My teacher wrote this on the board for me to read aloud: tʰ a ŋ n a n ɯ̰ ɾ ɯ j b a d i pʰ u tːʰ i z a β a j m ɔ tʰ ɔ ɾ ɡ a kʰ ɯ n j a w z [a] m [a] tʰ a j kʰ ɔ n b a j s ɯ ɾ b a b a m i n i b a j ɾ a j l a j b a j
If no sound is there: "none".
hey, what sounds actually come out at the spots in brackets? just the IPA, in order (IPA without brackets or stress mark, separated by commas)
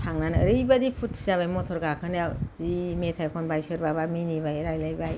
i, e